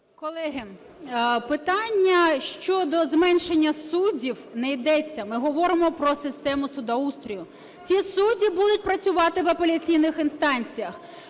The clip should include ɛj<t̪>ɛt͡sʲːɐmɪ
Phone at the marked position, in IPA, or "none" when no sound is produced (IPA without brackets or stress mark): d̪